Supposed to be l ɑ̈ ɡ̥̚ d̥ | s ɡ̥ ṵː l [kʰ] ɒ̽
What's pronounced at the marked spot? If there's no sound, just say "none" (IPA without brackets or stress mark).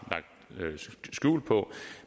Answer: pʰ